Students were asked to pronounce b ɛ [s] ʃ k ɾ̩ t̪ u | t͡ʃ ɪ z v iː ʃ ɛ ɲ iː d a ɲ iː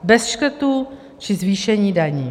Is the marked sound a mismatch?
no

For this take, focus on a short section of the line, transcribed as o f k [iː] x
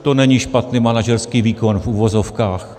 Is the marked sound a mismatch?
yes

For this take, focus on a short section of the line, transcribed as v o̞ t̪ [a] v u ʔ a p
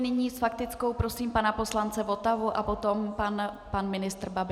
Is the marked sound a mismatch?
no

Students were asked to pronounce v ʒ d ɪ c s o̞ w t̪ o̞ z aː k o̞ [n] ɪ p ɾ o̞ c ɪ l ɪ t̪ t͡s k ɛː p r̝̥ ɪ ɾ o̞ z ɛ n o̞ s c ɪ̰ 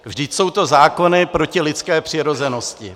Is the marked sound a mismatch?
no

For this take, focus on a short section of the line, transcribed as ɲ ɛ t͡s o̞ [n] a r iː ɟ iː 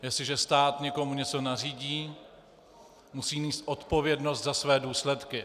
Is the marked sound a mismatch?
no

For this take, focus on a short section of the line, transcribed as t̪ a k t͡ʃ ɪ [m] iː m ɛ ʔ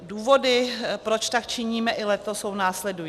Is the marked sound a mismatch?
yes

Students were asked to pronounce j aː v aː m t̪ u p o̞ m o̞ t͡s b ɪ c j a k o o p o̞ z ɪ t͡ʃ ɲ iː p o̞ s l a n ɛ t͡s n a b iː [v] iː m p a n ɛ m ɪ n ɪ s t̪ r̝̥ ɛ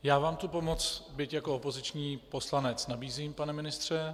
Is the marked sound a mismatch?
yes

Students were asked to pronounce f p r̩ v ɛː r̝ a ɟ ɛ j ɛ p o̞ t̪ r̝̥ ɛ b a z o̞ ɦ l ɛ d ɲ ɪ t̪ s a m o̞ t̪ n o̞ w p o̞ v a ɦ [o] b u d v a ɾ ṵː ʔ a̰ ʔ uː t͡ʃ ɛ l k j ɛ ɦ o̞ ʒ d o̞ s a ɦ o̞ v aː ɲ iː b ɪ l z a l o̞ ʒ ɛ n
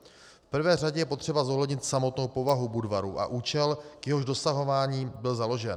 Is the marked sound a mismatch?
yes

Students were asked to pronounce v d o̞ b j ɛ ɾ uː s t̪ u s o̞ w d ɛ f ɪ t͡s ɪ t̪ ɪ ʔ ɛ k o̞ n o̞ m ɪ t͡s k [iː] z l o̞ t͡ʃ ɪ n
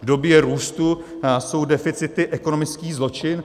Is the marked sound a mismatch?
no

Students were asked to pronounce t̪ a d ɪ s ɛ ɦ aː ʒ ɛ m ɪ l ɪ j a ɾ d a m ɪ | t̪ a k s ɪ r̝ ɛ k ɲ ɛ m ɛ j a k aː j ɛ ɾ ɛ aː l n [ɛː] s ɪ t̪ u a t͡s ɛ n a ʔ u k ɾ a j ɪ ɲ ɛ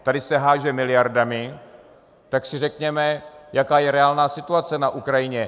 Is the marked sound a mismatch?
yes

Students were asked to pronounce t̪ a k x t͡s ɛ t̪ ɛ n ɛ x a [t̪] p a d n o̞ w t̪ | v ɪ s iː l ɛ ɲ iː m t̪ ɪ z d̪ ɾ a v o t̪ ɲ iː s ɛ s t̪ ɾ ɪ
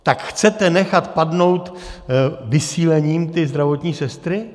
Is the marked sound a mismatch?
no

